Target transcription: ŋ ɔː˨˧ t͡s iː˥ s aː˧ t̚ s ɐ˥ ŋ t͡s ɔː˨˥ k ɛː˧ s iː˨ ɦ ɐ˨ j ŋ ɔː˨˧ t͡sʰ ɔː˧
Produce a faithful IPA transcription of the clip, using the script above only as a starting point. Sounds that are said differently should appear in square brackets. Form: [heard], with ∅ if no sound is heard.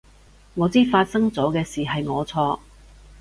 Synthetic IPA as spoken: ŋ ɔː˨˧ t͡s iː˥ [f] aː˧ t̚ s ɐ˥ ŋ t͡s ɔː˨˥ k ɛː˧ s iː˨ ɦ ɐ˨ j ŋ ɔː˨˧ t͡sʰ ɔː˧